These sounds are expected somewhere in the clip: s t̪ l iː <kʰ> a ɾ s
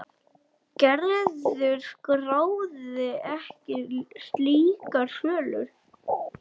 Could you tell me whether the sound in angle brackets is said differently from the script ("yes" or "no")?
yes